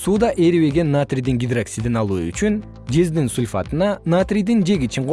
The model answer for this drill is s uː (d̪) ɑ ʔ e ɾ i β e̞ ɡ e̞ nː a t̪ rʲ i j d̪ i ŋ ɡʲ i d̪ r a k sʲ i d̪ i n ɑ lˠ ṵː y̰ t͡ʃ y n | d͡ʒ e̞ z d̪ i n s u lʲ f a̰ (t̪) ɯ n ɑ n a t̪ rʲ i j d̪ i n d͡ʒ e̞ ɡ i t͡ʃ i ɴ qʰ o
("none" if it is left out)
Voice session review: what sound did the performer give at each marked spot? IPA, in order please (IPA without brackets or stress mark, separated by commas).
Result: d̪, t̪